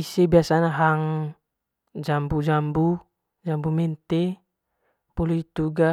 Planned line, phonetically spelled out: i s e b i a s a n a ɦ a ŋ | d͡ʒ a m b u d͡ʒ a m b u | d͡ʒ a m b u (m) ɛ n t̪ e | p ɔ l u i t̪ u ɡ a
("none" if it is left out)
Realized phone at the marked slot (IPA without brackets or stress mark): m